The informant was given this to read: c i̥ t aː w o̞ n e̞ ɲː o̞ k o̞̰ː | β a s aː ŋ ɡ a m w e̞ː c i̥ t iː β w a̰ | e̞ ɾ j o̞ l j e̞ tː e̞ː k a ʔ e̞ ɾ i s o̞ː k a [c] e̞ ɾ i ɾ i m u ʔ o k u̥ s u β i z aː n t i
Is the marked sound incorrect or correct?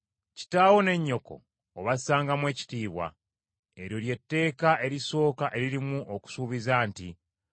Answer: incorrect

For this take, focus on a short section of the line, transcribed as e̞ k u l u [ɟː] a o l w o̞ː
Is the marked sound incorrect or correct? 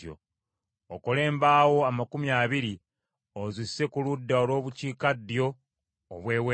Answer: incorrect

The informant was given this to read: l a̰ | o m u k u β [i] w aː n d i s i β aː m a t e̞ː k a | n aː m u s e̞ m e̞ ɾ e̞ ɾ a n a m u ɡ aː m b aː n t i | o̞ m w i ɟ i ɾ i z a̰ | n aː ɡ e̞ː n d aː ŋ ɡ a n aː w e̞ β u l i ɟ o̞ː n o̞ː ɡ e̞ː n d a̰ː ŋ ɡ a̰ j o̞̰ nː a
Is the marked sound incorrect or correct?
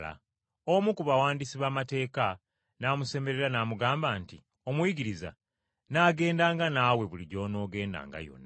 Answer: incorrect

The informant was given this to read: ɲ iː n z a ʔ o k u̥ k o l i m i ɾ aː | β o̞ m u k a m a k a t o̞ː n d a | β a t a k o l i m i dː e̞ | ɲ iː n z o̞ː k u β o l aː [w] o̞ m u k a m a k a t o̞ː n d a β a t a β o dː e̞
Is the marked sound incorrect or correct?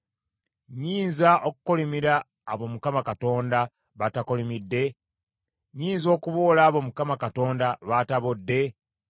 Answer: incorrect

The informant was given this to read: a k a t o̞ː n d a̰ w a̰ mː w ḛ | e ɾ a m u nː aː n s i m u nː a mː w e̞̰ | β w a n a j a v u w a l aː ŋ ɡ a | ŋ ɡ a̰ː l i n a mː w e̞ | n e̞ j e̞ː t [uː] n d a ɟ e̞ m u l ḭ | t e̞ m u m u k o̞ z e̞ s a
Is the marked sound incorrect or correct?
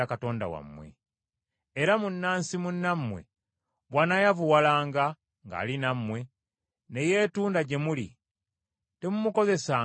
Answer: correct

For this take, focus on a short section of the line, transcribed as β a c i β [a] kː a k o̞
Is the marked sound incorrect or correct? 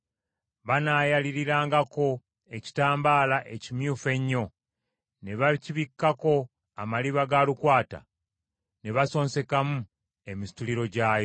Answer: incorrect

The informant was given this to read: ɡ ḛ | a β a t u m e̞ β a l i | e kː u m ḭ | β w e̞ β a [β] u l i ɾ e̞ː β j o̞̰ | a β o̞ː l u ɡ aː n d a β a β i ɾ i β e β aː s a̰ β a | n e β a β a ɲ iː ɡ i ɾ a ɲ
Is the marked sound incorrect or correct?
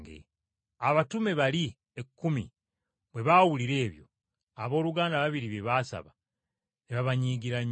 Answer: incorrect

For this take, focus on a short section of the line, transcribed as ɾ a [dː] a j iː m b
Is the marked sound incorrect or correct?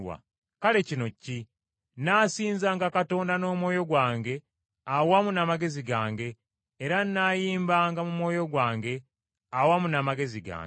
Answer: incorrect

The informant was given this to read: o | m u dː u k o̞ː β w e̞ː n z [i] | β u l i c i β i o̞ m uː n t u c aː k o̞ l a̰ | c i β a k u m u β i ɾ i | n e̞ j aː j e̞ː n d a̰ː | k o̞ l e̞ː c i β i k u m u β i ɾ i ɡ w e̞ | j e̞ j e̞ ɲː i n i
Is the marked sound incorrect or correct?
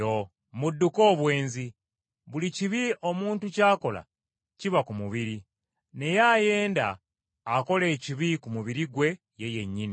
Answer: correct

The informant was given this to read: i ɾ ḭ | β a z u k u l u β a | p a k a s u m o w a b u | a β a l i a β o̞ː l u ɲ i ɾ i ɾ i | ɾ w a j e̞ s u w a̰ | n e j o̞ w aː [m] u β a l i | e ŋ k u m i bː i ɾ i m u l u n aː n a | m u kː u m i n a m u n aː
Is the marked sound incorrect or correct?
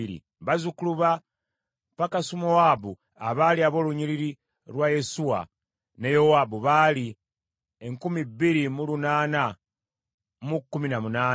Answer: incorrect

